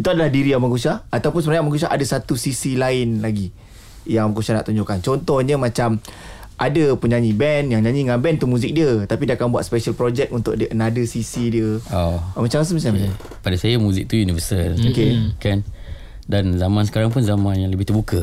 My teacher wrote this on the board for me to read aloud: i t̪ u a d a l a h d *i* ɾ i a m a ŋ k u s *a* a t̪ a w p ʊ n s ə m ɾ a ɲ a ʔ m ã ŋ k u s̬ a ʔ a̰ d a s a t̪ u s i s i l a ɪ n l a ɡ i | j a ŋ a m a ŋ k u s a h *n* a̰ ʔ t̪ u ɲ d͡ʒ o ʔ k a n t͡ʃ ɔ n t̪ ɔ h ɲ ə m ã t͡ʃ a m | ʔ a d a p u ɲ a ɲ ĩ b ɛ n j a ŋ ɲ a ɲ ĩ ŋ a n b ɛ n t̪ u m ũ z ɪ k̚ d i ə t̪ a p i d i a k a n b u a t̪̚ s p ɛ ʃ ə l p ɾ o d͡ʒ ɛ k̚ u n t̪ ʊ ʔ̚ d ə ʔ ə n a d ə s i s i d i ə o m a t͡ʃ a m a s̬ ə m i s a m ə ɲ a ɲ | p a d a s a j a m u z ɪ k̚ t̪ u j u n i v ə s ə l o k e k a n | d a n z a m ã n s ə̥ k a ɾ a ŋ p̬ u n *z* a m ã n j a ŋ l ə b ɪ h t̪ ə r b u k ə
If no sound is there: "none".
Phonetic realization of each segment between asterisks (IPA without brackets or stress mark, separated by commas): i, a, n, z